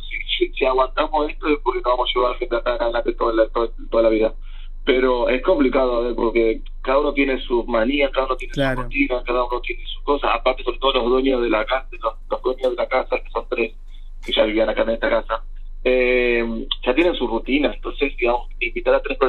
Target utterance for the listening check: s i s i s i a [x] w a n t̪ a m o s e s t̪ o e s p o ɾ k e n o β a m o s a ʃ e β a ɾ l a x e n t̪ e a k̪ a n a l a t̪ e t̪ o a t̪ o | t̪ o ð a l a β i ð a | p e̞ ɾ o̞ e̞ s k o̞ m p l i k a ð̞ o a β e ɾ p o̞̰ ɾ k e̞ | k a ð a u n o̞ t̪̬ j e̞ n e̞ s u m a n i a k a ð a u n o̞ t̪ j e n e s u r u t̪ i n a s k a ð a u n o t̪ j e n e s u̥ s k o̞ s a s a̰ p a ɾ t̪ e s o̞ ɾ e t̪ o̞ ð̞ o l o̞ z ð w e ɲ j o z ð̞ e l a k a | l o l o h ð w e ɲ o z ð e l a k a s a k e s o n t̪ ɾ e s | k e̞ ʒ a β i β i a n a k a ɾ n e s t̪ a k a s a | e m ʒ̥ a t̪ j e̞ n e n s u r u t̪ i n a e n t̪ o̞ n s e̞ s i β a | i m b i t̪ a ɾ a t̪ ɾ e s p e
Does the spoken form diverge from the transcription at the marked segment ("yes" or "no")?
yes